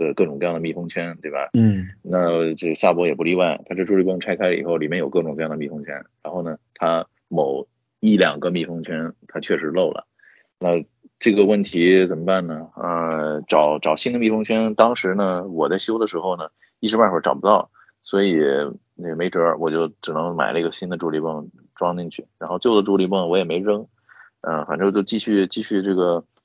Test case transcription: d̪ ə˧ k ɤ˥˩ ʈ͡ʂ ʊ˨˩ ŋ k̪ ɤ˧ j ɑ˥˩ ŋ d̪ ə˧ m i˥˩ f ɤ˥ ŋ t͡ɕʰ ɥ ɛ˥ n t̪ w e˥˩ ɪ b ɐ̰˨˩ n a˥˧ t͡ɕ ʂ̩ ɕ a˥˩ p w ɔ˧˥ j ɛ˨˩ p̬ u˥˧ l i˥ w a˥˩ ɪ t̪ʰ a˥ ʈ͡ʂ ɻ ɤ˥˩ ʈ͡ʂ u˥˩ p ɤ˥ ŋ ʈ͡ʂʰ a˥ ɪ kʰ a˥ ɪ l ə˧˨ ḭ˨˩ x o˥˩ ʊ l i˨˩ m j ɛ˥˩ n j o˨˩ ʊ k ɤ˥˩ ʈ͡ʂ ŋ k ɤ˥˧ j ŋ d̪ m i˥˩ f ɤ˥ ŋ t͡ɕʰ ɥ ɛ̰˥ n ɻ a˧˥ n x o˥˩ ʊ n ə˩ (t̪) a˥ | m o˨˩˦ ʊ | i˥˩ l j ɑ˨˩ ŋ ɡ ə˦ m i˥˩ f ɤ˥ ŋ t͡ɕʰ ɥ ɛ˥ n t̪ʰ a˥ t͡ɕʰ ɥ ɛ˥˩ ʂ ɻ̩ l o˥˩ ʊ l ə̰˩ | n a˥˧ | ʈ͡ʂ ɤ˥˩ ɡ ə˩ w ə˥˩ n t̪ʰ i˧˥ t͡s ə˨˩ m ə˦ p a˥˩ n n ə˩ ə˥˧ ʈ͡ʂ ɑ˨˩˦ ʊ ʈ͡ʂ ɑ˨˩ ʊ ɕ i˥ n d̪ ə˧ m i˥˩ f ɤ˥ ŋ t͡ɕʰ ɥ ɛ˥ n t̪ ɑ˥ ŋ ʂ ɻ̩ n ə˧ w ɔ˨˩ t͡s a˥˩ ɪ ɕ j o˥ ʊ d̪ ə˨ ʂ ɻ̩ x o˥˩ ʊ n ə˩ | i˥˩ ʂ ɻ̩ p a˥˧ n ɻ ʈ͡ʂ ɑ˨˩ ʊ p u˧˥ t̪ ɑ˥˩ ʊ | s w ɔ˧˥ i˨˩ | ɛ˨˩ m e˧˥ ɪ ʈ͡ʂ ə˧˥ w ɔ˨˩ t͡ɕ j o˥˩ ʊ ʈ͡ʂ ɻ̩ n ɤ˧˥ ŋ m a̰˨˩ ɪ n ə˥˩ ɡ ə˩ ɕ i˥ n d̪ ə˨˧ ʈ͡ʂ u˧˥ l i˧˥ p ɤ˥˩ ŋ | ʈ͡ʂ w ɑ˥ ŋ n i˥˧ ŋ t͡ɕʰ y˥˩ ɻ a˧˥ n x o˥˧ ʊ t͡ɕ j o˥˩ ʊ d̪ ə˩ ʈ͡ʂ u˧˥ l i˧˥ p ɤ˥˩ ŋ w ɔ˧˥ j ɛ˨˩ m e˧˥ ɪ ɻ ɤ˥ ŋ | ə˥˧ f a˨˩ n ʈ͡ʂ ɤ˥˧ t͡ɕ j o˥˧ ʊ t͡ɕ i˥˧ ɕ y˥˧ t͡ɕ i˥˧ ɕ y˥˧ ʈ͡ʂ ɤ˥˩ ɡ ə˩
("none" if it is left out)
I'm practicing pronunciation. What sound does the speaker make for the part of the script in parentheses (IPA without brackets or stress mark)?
t̪ʰ